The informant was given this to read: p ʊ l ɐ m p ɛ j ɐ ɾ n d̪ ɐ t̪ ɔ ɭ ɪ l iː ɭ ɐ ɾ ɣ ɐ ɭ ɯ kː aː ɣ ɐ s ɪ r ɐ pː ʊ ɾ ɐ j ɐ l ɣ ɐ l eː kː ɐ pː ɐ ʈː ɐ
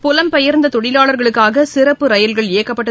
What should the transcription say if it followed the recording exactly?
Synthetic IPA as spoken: p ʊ l ɐ m p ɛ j ɐ ɾ n d̪ ɐ t̪ ɔ ɽ ɪ l aː ɭ ɐ ɾ ɣ ɐ ɭ ɯ kː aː ɣ ɐ s ɪ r ɐ pː ɯ ɾ ɐ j ɐ l ɣ ɐ ɭ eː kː ɐ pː ɐ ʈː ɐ